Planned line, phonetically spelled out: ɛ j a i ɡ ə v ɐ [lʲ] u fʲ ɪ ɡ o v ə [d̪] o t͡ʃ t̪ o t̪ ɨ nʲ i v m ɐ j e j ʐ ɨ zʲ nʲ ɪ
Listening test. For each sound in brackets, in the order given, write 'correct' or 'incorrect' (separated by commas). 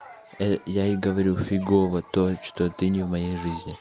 incorrect, incorrect